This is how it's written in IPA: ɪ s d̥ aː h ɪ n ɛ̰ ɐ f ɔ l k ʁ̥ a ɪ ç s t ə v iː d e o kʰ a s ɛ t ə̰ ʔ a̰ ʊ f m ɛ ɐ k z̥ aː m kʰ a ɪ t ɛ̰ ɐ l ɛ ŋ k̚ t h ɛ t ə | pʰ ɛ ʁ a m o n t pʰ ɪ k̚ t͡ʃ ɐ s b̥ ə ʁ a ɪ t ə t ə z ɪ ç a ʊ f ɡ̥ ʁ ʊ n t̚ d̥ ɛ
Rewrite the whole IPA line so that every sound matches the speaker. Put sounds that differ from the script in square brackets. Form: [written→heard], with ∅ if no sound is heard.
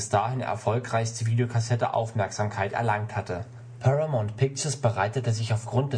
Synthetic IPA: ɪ s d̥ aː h ɪ n ɛ̰ ɐ f ɔ l k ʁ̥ a ɪ ç s t ə v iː d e o kʰ a s ɛ t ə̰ ʔ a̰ ʊ f m ɛ ɐ k z̥ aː m kʰ a ɪ t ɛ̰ ɐ l [ɛ→a] ŋ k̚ t h [ɛ→a] t ə | pʰ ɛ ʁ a m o n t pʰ ɪ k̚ t͡ʃ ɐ s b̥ ə ʁ a ɪ t ə t ə z ɪ ç a ʊ f ɡ̥ ʁ ʊ n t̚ d̥ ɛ

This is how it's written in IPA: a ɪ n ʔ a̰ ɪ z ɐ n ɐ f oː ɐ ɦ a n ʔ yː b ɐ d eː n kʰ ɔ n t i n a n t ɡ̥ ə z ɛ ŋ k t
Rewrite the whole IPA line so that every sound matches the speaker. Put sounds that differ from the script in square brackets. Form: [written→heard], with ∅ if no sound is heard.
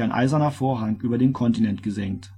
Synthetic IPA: a ɪ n ʔ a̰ ɪ z ɐ n ɐ f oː ɐ ɦ a [n→ŋ] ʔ yː b ɐ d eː n kʰ ɔ n t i n [a→ɛ] n t ɡ̥ ə z ɛ ŋ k t

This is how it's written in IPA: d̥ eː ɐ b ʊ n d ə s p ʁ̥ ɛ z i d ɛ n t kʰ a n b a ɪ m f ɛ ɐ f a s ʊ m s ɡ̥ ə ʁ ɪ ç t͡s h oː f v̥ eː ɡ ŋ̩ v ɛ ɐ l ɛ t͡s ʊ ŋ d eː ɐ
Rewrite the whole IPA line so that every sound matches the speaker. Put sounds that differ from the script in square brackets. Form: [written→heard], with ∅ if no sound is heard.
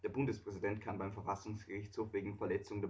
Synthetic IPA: d̥ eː ɐ b ʊ n d ə s p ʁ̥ ɛ z i d ɛ n t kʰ a n b a ɪ m f ɛ ɐ f a s ʊ [m→ŋ] s ɡ̥ ə ʁ ɪ ç t͡s h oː f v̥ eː ɡ ŋ̩ [v→f] ɛ ɐ l ɛ t͡s ʊ ŋ d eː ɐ

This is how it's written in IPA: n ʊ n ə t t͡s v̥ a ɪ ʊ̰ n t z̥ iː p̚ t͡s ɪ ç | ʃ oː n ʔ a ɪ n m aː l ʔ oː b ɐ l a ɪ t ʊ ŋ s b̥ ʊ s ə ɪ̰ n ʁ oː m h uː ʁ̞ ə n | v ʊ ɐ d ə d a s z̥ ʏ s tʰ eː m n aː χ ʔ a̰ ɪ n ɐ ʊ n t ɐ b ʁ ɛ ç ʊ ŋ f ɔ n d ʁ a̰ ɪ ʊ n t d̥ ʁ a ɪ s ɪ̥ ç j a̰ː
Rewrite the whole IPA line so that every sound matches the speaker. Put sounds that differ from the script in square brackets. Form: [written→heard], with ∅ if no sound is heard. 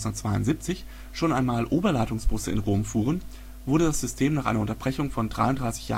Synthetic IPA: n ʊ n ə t t͡s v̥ a ɪ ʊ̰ n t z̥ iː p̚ t͡s ɪ ç | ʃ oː n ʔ a ɪ n m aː l ʔ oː b ɐ l a ɪ t ʊ ŋ s b̥ ʊ s ə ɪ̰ n ʁ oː m [h→f] uː ʁ̞ ə n | v ʊ ɐ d ə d a s z̥ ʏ s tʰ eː m n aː χ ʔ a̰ ɪ n ɐ ʊ n t ɐ b ʁ ɛ ç ʊ ŋ f ɔ n d ʁ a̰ ɪ ʊ n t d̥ ʁ a ɪ s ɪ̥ ç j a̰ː

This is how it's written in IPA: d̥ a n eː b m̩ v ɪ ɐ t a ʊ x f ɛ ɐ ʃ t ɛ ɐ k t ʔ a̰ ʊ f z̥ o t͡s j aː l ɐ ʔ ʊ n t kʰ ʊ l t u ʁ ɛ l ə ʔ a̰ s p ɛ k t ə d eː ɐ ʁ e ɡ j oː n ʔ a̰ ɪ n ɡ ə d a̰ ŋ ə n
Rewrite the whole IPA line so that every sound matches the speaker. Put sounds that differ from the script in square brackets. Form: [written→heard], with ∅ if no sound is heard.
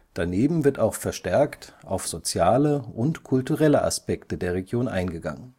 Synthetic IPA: d̥ a n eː b m̩ v ɪ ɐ t a ʊ x f ɛ ɐ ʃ t ɛ ɐ k t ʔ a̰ ʊ f z̥ o t͡s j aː l [ɐ→ə] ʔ ʊ n t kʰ ʊ l t u ʁ ɛ l ə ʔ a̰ s p ɛ k t ə d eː ɐ ʁ e ɡ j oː n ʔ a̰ ɪ n ɡ ə [d→ɡ] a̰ ŋ ə n

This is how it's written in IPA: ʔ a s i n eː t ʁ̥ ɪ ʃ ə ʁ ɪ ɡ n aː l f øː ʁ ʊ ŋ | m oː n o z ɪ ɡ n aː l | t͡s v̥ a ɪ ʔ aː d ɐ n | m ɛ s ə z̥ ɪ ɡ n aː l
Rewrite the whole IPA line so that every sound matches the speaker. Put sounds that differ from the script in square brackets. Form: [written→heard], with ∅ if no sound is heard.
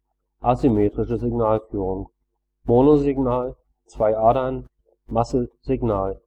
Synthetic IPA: ʔ a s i [n→m] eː t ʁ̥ ɪ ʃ ə [ʁ→z] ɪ ɡ n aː l f [øː→yː] ʁ ʊ ŋ | m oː n o z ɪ ɡ n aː l | t͡s v̥ a ɪ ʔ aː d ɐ n | m [ɛ→a] s ə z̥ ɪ ɡ n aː l

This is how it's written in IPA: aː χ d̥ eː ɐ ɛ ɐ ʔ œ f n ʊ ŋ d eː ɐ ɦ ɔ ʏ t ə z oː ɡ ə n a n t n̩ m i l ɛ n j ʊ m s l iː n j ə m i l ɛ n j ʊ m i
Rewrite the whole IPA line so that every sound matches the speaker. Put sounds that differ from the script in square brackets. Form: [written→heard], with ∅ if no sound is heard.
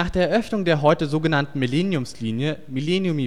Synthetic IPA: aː χ d̥ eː ɐ ɛ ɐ ʔ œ f n ʊ ŋ d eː ɐ ɦ ɔ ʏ t ə z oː ɡ ə n a n t n̩ m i l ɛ n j ʊ m s l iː n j ə m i l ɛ n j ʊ m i

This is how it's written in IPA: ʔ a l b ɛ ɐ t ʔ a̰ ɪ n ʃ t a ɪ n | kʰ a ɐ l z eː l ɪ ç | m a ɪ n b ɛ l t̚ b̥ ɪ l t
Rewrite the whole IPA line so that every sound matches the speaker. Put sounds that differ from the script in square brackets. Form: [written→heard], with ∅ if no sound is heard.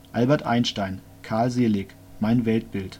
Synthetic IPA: ʔ a l b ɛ ɐ t ʔ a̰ ɪ n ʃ t a ɪ n | kʰ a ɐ l z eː l ɪ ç | m a ɪ n [b→v] ɛ l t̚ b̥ ɪ l t

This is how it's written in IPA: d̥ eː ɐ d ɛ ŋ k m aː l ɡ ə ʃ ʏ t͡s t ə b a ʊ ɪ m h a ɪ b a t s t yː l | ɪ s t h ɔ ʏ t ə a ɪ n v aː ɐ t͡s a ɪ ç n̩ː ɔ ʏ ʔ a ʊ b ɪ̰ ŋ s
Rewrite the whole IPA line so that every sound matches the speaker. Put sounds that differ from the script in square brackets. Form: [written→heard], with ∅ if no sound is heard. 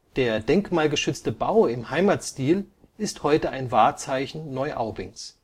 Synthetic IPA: d̥ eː ɐ d ɛ ŋ k m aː l ɡ ə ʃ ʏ t͡s t ə b a ʊ ɪ m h a ɪ [b→m] a t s t [yː→iː] l | ɪ s t h ɔ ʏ t ə a ɪ n v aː ɐ t͡s a ɪ ç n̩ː ɔ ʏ ʔ a ʊ b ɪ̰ ŋ s

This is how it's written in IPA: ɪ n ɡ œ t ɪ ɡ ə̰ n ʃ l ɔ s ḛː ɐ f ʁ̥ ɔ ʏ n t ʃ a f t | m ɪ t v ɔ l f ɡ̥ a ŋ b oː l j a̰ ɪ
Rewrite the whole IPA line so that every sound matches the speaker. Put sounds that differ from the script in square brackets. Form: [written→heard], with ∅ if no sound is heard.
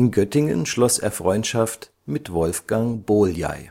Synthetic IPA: ɪ n ɡ œ t ɪ [ɡ→ŋ] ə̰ n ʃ l ɔ s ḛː ɐ f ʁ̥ ɔ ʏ n t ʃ a f t | m ɪ t v ɔ l f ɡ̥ a ŋ b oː l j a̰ ɪ

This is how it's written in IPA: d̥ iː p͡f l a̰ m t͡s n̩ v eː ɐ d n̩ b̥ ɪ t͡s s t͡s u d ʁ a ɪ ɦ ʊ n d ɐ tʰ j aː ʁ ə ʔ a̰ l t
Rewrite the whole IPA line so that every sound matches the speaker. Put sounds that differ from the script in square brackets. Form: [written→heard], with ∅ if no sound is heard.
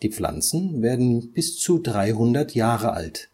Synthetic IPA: d̥ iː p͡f l a̰ [m→n] t͡s n̩ v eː ɐ d n̩ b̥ ɪ [t͡s→∅] s t͡s u d ʁ a ɪ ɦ ʊ n d ɐ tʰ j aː ʁ ə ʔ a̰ l t

